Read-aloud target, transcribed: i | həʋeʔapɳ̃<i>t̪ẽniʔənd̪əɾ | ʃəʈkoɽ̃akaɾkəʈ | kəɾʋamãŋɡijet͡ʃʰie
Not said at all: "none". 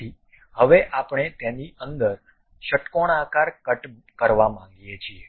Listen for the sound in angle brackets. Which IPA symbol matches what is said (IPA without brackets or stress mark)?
e